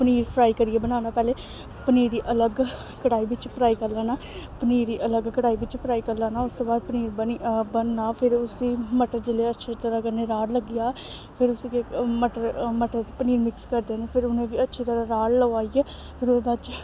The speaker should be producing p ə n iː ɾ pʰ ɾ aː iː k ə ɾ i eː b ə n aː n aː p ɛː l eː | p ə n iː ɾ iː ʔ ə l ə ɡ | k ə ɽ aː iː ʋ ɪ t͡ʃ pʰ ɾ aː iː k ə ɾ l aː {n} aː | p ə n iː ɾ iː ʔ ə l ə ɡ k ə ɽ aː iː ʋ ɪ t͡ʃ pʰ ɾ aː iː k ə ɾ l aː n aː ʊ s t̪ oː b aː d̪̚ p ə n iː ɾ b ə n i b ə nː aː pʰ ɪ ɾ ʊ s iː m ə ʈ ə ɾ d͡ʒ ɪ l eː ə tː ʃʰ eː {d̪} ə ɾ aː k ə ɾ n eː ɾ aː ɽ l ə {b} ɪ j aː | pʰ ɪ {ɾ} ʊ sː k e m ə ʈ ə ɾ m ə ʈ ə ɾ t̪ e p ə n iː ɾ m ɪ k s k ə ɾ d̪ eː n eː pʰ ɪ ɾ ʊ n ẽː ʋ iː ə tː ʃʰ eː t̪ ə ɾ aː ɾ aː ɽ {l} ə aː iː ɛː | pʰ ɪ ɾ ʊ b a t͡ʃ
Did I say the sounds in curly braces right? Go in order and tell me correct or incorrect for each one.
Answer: correct, incorrect: t̪, incorrect: ɡ, correct, correct

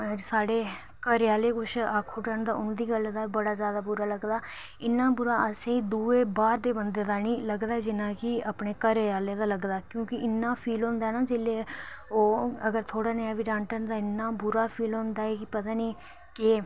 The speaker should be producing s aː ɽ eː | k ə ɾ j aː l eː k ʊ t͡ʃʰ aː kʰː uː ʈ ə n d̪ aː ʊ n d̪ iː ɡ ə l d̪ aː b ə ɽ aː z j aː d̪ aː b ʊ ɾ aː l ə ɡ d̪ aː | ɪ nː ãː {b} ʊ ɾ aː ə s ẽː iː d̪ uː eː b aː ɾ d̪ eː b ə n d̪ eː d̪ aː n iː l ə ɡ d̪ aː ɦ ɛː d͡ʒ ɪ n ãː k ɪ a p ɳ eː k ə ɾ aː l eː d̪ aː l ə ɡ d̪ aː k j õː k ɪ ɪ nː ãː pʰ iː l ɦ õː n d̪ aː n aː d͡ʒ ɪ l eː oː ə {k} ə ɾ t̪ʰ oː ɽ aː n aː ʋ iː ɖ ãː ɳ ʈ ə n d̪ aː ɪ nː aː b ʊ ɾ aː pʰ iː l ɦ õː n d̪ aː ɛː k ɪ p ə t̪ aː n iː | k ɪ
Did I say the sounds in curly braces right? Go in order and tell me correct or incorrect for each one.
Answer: correct, incorrect: ɡ

